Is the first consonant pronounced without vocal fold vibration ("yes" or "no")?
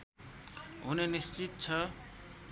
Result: no